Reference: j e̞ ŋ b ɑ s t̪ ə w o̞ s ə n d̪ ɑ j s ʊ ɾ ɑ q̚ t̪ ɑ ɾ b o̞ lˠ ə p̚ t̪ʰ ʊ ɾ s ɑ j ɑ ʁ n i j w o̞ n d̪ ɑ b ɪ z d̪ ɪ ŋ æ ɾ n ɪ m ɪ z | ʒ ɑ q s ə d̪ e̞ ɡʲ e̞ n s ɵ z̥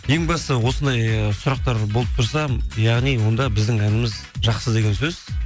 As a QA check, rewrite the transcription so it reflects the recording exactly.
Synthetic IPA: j e̞ ŋ b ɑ s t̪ ə w o̞ s ə n d̪ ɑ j s ʊ ɾ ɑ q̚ t̪ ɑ ɾ b o̞ lˠ ə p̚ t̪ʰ ʊ ɾ s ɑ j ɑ ʁ n i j w o̞ n d̪ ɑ b ɪ z d̪ ɪ ŋ æ n ɪ m ɪ z | ʒ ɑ q s ə d̪ e̞ ɡʲ e̞ n s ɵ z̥